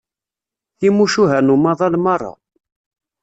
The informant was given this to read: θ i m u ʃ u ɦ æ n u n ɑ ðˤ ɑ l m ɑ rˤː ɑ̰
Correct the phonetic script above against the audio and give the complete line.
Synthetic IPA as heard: θ i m u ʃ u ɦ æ n u m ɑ ðˤ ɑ l m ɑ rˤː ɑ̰